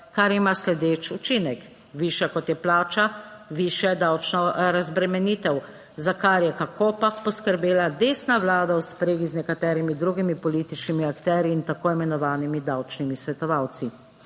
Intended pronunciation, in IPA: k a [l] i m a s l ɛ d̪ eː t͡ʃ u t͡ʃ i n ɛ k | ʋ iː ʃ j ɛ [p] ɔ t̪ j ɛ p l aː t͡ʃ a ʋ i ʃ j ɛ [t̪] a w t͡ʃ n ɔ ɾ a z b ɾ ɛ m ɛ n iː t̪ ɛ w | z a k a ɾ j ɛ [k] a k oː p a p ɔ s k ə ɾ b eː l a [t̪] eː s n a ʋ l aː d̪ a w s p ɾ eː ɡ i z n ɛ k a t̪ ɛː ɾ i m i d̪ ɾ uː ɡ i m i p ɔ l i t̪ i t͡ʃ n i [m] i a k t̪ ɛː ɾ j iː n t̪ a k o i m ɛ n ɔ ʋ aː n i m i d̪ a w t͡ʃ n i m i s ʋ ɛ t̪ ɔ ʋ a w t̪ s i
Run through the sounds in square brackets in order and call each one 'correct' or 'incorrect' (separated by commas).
incorrect, incorrect, incorrect, correct, incorrect, correct